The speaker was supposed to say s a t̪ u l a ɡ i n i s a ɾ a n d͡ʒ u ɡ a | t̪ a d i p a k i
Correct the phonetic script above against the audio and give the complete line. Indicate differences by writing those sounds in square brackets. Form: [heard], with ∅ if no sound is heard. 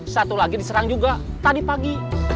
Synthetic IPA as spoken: s a t̪ u l a ɡ i [d] i s [ə] ɾ a [ŋ] d͡ʒ u ɡ a | t̪ a d i p a [ɡ] i